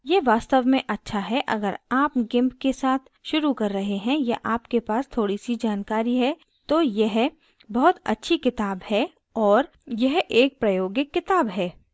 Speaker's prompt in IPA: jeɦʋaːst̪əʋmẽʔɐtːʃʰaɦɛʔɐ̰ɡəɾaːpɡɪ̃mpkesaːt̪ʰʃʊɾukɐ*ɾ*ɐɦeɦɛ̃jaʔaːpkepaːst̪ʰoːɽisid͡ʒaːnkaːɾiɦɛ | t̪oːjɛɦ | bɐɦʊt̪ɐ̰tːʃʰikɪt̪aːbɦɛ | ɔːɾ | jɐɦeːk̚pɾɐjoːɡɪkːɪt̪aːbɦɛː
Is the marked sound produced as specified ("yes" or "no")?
no